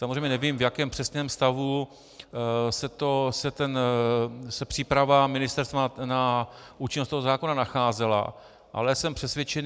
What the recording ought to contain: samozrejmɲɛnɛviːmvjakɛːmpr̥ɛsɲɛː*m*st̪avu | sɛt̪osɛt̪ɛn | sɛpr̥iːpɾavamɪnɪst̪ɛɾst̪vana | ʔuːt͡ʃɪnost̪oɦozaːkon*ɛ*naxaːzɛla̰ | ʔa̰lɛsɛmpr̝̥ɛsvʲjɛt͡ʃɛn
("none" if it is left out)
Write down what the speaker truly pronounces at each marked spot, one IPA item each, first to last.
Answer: m, a

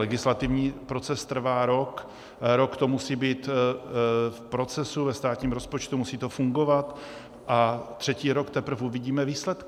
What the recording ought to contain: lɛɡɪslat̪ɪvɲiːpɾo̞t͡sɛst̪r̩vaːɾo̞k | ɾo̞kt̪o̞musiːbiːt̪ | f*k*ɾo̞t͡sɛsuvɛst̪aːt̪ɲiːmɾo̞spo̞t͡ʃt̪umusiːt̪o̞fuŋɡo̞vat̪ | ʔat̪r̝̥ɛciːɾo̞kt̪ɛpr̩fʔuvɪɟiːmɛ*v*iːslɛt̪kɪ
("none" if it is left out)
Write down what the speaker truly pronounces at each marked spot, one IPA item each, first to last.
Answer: p, v

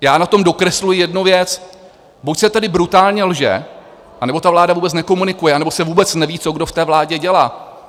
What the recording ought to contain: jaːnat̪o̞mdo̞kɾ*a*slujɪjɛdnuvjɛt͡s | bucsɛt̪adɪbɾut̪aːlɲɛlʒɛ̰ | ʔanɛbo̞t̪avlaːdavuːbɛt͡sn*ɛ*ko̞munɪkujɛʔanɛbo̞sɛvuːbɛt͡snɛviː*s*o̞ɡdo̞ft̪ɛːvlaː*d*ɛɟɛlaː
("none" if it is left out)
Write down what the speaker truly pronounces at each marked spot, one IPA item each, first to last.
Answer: ɛ, ɛ, t͡s, ɟ

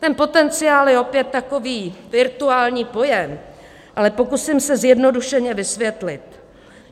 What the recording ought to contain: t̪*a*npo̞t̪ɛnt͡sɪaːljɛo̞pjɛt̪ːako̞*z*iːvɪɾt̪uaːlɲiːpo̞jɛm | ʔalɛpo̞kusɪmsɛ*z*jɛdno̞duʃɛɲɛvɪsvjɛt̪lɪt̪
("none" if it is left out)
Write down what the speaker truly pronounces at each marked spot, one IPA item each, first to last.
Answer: ɛ, v, z

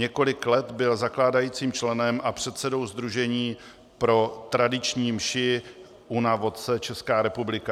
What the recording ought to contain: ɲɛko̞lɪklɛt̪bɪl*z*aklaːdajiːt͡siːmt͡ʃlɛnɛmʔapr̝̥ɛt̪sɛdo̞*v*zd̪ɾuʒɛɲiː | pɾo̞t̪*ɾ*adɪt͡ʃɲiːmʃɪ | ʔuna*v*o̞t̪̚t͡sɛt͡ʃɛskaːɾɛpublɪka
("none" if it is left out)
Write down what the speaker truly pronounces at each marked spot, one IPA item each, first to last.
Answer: z, w, ɾ, v

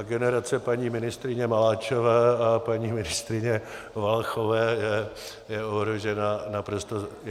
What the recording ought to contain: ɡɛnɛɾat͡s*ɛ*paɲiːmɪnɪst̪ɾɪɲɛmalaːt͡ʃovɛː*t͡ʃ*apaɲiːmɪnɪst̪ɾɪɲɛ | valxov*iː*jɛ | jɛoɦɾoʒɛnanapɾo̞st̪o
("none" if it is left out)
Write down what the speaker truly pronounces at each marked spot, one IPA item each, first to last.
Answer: ɛ, none, ɛː

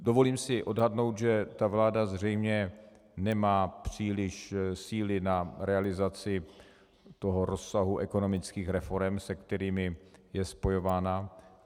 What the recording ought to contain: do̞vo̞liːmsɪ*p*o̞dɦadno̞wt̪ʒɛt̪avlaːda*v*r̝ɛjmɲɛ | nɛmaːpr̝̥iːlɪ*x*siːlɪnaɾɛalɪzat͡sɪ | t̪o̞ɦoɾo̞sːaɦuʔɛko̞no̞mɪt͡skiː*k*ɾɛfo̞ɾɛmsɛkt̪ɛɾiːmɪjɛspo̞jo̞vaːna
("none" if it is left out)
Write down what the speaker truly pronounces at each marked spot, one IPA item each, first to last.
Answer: ʔ, z, ʃ, x

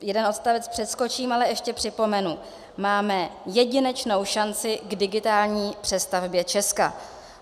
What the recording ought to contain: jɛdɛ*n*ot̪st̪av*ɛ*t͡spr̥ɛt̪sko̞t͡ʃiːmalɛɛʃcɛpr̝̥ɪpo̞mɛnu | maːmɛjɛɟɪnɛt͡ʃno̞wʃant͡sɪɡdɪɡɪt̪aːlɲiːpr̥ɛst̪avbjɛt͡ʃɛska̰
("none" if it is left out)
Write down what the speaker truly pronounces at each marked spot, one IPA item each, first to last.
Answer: n, ɛ

